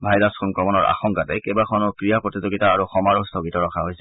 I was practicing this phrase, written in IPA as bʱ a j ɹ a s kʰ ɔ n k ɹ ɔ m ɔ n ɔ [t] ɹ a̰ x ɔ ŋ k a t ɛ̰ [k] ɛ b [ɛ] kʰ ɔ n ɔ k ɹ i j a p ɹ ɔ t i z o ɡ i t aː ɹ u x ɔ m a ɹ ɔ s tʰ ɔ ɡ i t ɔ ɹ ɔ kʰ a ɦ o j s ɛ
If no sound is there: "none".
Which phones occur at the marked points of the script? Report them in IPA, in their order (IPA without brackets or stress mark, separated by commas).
none, k, a